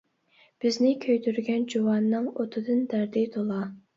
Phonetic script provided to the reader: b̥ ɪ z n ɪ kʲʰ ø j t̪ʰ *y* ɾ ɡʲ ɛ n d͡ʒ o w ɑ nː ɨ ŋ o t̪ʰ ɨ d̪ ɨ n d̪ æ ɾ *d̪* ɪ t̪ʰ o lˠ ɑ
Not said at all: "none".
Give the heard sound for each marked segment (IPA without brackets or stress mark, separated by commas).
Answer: y, d̪